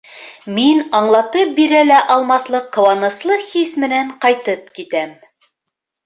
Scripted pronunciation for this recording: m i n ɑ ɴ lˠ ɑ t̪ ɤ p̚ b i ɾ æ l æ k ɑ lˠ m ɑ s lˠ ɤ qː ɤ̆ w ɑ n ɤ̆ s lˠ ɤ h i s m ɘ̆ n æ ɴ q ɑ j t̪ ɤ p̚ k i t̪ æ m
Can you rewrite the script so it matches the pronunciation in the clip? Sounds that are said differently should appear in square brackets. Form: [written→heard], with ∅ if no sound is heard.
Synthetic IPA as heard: m i n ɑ ɴ lˠ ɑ t̪ ɤ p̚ b i ɾ æ l æ [k→ʔ] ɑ lˠ m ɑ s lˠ ɤ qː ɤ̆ w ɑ n ɤ̆ s lˠ ɤ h i s m ɘ̆ n æ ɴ q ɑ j t̪ ɤ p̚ k i t̪ æ m